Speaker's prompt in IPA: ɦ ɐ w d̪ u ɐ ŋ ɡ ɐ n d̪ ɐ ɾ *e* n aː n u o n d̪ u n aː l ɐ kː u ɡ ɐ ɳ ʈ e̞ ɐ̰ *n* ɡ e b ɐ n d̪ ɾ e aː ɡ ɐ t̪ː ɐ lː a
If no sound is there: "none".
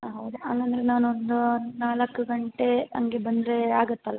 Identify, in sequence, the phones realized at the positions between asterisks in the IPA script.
e, ŋ

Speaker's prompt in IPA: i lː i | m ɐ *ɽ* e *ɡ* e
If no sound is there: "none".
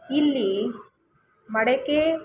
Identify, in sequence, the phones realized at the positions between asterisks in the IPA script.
ɽ, k

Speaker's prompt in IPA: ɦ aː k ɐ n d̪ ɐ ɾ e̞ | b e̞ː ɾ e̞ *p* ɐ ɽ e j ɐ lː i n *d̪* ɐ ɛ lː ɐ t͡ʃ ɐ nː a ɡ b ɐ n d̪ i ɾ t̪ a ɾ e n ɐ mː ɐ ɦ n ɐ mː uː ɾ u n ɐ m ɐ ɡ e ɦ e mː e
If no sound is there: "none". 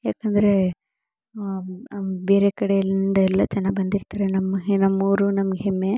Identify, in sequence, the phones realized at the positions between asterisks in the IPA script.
k, d̪

